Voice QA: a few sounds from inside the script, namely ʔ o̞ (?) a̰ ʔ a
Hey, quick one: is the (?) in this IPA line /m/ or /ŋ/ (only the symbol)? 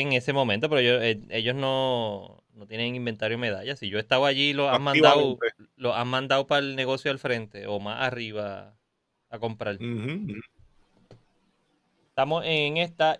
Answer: m